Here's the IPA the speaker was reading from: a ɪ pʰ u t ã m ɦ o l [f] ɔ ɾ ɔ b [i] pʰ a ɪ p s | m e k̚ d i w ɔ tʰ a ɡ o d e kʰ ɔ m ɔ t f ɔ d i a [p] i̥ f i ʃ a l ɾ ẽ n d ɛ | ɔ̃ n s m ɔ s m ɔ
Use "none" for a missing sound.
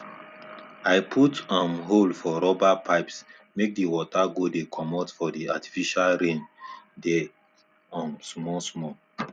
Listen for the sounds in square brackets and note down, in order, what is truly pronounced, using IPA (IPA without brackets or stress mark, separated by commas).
f, a, t